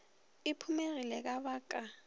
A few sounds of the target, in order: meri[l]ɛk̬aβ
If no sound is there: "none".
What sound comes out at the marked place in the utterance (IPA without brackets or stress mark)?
l